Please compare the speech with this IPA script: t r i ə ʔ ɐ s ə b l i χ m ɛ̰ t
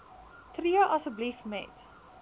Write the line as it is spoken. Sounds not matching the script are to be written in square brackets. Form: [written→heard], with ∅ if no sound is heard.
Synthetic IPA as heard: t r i ə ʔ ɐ s ə b l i [χ→f] m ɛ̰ t